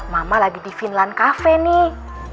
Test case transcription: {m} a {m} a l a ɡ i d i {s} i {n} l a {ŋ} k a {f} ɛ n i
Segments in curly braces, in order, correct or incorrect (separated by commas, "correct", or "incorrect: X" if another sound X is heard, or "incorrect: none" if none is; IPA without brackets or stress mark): correct, correct, incorrect: f, correct, incorrect: n, correct